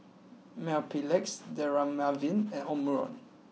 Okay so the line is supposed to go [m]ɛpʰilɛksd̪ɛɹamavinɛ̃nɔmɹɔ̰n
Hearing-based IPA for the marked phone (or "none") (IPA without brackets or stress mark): m